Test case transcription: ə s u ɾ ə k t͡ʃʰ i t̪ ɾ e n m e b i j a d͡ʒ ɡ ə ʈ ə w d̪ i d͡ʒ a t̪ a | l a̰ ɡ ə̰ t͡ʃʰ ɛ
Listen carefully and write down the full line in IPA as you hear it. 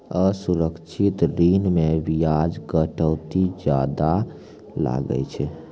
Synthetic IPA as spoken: ə s u ɾ ə k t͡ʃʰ i t̪ ɾ i n m e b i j a d͡ʒ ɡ ə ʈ ə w t̪ i d͡ʒ a d̪ a | l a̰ ɡ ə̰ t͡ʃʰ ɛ